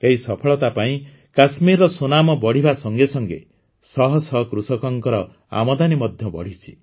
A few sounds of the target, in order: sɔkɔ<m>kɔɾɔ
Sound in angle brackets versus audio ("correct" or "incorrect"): incorrect